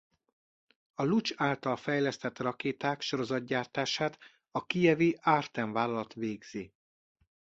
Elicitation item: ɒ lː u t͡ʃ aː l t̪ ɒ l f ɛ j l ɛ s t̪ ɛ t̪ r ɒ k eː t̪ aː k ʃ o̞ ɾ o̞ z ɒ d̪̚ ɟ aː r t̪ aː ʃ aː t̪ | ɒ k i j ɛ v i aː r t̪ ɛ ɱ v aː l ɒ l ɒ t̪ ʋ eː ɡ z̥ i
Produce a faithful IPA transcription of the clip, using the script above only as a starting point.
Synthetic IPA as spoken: ɒ l u t͡ʃ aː l t̪ ɒ l f ɛ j l ɛ s t̪ ɛ t̪ r ɒ k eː t̪ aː k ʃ o̞ ɾ o̞ z ɒ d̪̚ ɟ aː r t̪ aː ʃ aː t̪ | ɒ k i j ɛ v i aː r t̪ ɛ ɱ v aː l ɒ l ɒ t̪ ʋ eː ɡ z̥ i